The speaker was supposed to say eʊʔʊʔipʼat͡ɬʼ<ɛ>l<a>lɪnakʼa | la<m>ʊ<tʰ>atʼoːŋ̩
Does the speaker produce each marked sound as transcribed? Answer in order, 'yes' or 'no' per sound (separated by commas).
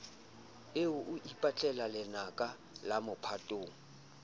yes, yes, yes, no